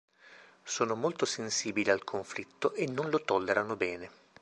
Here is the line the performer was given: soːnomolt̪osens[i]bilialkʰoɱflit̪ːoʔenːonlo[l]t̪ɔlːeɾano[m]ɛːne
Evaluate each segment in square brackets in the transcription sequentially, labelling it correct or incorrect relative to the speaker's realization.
incorrect: iː, incorrect: none, incorrect: b

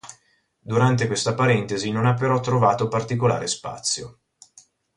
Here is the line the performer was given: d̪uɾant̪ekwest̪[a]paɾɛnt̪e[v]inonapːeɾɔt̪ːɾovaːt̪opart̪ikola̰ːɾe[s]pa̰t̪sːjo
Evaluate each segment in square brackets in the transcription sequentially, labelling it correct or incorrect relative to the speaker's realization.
correct, incorrect: z, correct

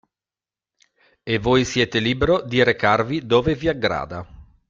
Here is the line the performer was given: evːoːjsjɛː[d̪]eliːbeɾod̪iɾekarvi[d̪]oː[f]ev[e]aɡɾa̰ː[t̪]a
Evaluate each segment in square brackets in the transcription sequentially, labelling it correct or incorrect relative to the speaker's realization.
incorrect: t̪, correct, incorrect: v, incorrect: i, incorrect: d̪

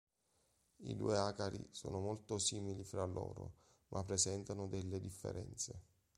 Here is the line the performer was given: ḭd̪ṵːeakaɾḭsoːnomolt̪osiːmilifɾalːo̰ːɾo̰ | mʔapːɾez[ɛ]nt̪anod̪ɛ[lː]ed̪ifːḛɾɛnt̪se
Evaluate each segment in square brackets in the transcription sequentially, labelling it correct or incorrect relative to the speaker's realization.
correct, correct

